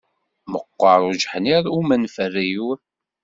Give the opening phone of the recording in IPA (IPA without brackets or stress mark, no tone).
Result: m